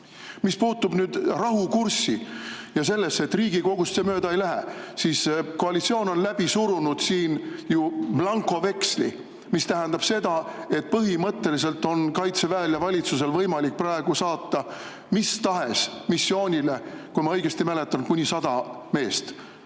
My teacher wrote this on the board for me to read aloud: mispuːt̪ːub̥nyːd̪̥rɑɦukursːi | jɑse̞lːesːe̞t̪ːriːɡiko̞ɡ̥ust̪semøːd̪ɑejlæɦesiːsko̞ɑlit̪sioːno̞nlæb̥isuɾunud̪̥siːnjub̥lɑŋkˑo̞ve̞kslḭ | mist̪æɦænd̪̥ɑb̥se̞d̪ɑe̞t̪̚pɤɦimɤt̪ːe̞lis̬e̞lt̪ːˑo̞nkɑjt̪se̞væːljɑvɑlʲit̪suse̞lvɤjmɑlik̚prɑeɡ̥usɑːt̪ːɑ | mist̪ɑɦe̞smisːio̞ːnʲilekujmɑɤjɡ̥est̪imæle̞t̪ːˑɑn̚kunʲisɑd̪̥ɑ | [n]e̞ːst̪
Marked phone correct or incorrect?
incorrect